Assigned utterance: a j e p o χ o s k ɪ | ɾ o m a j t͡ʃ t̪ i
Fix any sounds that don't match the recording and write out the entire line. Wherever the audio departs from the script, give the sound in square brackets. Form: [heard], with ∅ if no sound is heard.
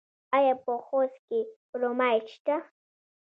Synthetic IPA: a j [a] p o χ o s k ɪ | ɾ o m a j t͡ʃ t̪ [a]